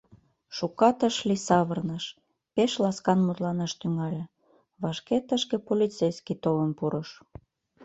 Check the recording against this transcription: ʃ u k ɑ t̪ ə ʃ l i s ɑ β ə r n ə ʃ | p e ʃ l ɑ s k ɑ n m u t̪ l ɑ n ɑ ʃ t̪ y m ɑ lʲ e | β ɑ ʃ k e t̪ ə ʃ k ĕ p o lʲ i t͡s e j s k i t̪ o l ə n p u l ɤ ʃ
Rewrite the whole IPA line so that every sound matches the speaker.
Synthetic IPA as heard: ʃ u k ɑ t̪ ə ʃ l i s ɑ β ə r n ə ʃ | p e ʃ l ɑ s k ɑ n m u t̪ l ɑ n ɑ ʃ t̪ y ŋ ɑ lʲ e | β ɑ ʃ k e t̪ ə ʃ k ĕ p o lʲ i t͡s e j s k i t̪ o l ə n p u ɾ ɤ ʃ